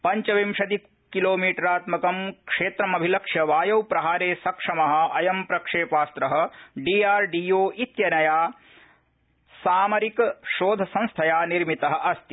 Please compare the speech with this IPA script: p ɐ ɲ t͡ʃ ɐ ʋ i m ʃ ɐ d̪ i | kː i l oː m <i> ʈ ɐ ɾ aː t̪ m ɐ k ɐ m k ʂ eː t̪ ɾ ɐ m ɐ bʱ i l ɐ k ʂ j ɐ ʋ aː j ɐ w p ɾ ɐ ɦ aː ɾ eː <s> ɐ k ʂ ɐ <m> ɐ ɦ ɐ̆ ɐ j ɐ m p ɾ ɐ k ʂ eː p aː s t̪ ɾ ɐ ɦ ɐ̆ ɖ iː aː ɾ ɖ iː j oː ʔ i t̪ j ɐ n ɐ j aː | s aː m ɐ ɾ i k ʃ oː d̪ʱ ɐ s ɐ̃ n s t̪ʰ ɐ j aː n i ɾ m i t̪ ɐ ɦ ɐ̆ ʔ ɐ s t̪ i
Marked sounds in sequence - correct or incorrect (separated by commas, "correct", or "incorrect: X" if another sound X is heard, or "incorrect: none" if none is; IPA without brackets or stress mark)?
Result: incorrect: iː, correct, correct